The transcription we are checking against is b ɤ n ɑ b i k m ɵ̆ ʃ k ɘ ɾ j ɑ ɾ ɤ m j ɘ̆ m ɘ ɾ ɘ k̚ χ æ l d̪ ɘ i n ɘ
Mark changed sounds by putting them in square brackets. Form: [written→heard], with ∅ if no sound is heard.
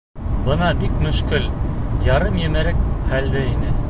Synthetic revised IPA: b ɤ n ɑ b i k m ɵ̆ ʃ k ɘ [ɾ→l] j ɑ ɾ ɤ m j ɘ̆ m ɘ ɾ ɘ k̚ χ æ l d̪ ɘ i n ɘ